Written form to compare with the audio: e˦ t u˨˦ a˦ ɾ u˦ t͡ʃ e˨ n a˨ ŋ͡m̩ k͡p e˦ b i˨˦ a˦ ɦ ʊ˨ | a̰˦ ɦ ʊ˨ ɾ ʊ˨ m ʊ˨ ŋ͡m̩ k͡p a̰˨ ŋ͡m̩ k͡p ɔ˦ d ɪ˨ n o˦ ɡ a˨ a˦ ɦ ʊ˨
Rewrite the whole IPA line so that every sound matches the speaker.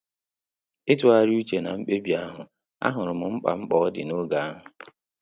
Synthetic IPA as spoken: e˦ t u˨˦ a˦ ɾ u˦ t͡ʃ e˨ n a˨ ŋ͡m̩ k͡p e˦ b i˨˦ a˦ ɦ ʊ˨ | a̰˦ ɦ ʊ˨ ɾ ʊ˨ m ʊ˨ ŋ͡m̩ k͡p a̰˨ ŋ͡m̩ k͡p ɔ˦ d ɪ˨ n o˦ ɡ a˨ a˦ ɦ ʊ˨